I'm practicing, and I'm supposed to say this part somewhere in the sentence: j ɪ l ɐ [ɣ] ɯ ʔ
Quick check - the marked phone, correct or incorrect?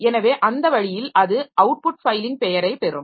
incorrect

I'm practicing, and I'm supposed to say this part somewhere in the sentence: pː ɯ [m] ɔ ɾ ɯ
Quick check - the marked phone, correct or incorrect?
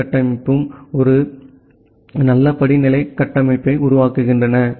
correct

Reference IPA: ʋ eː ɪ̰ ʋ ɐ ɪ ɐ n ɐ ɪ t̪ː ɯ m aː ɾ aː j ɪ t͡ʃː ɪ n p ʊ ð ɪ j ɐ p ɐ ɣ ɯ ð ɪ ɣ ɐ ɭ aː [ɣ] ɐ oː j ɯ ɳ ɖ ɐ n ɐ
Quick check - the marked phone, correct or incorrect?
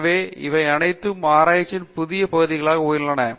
correct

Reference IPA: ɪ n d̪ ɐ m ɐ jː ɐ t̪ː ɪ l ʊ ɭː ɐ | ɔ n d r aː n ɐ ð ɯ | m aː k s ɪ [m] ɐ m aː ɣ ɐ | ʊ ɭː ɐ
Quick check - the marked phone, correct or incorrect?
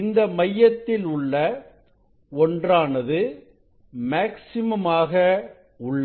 correct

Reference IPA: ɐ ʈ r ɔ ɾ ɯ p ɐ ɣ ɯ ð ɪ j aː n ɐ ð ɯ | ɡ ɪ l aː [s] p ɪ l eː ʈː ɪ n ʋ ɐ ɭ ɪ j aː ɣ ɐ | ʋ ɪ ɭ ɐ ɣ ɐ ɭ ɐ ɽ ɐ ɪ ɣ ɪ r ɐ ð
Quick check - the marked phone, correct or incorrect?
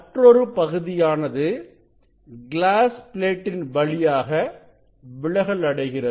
correct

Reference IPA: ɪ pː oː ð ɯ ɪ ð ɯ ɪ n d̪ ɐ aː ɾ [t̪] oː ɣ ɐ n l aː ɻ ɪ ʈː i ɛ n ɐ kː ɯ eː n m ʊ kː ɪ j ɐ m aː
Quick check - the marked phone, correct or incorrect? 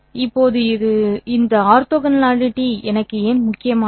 correct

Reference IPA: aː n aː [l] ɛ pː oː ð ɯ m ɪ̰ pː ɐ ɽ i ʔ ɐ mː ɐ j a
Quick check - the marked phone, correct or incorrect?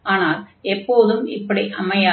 correct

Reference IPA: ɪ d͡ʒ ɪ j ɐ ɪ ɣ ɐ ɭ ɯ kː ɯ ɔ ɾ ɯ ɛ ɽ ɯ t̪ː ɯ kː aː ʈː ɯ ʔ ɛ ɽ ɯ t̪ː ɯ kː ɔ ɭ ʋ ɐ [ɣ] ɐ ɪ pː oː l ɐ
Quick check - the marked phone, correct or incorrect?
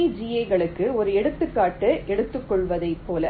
incorrect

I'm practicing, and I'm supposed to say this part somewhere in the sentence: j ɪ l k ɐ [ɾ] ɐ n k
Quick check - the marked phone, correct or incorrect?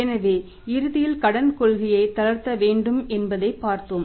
incorrect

